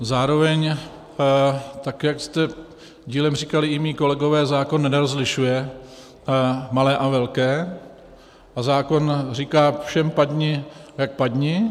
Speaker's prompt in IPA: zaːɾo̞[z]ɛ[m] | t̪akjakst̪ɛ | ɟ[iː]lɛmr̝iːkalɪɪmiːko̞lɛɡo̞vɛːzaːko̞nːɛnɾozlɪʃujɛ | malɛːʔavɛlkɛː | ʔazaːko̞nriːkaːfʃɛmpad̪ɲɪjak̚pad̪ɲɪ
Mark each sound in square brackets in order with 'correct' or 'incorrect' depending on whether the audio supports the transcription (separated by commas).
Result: incorrect, incorrect, correct